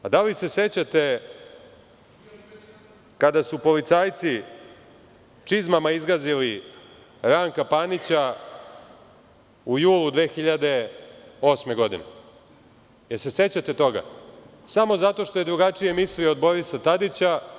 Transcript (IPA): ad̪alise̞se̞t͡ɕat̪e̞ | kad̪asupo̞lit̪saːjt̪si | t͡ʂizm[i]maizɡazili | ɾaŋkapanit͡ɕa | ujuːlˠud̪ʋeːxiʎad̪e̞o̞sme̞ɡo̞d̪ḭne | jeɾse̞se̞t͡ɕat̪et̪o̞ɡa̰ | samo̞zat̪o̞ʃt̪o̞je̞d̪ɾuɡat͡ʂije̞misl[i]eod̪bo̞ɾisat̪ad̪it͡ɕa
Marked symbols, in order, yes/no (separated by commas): no, yes